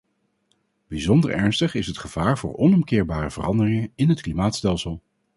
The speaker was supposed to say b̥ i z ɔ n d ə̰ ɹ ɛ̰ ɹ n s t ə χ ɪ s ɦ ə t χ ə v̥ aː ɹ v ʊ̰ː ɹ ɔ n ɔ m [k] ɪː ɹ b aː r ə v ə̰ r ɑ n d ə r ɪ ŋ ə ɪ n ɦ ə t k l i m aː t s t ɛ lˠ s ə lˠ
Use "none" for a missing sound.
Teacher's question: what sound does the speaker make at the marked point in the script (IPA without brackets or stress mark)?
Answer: k